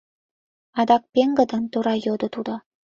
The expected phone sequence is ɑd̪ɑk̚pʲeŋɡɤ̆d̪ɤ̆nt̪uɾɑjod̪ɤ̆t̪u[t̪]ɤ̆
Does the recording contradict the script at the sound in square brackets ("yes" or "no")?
yes